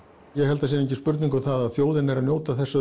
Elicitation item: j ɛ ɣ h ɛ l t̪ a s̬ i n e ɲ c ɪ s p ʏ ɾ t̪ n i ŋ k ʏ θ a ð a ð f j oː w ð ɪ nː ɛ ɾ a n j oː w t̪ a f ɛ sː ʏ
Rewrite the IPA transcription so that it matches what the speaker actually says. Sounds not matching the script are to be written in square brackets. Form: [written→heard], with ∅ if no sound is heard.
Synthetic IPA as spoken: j ɛ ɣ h ɛ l t̪ a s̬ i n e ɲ c ɪ s p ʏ ɾ t̪ n i ŋ k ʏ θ a ð a ð [f→θ] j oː w ð ɪ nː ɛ ɾ a n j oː w t̪ a [f→θ] ɛ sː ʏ